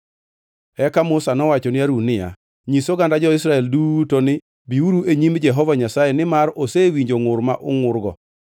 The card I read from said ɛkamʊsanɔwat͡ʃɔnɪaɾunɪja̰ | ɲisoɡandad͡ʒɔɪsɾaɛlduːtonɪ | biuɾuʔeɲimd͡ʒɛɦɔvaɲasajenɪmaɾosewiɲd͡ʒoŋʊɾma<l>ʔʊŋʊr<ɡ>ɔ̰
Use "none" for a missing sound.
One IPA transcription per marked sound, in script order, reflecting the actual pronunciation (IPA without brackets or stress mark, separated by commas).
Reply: none, ɡ